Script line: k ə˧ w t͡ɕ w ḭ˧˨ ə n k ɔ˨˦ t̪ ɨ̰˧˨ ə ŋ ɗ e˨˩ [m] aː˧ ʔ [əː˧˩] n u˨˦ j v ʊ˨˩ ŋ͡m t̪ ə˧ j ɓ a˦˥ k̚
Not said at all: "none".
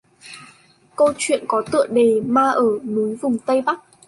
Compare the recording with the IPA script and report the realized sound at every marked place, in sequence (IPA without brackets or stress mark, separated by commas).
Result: m, əː˧˩